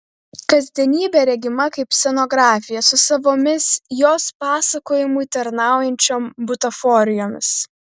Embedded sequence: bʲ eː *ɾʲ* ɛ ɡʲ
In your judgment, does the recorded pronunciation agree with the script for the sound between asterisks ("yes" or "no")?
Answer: yes